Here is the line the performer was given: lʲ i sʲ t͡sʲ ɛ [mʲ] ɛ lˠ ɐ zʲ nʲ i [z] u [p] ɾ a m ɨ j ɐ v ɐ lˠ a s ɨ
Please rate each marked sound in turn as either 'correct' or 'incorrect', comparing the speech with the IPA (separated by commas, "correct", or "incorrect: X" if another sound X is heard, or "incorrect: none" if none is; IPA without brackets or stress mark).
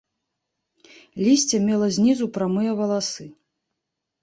correct, correct, correct